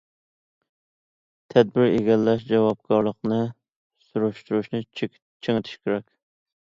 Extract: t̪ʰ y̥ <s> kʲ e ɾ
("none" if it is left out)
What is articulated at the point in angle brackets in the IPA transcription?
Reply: ʃ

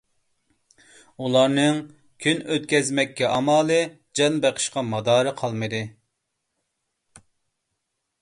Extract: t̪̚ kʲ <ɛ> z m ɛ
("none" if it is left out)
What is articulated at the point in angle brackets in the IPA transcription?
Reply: ɛ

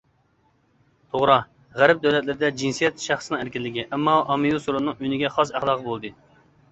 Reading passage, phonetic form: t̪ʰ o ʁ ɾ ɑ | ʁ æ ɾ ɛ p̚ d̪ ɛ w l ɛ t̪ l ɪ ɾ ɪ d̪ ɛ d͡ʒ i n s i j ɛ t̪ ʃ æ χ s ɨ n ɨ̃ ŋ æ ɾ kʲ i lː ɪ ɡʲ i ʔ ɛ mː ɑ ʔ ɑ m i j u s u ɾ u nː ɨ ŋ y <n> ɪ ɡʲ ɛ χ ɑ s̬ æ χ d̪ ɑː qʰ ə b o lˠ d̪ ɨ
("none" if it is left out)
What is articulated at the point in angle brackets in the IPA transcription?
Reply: n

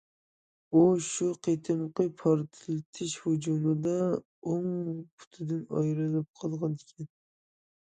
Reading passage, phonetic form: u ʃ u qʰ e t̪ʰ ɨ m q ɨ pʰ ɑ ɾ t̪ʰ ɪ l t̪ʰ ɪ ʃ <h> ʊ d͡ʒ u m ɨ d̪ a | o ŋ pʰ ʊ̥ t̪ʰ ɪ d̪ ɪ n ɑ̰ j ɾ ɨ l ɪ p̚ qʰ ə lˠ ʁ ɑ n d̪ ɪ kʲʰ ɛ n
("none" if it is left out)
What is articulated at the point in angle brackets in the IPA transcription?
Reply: h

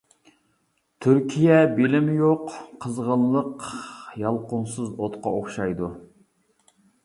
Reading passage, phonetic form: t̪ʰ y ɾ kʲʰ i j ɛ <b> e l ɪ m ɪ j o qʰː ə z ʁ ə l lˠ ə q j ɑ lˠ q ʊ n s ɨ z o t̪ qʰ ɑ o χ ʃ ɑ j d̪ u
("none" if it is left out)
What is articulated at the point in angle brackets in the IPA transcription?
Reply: b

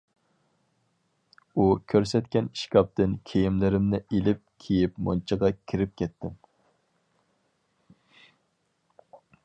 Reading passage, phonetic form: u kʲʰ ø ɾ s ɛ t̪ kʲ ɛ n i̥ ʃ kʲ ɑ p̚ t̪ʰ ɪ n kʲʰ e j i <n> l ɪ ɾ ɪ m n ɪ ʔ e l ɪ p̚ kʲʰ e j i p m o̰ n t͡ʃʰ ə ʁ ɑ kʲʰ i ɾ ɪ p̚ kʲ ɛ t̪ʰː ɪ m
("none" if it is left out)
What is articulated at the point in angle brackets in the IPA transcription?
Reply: m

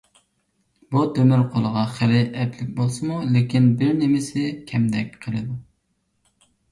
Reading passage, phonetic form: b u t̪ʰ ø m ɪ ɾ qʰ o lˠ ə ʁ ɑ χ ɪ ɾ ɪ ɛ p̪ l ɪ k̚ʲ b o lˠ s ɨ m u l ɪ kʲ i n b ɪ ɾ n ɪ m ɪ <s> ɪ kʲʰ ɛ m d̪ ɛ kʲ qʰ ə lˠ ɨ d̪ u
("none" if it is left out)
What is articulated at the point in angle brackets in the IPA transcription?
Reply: s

